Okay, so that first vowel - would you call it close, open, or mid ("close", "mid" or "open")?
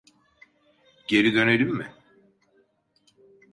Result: mid